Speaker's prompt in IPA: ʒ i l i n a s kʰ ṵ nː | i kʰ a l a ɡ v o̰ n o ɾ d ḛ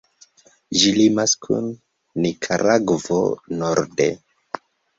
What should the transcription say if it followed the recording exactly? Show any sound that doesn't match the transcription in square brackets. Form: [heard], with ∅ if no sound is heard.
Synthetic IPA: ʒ i l i [m] a s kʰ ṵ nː | i kʰ a [ɾ] a ɡ v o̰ n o ɾ d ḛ